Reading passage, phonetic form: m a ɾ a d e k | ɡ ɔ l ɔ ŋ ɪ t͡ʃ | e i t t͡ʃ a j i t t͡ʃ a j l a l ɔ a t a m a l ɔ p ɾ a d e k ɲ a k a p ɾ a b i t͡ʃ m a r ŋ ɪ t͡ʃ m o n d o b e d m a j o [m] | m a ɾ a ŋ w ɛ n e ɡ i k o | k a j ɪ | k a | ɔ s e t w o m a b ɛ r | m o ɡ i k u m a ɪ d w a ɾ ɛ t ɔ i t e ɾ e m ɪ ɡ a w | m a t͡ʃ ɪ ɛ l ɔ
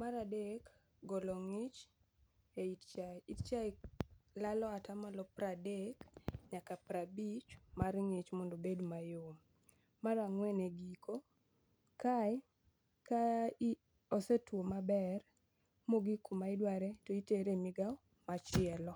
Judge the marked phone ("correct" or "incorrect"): correct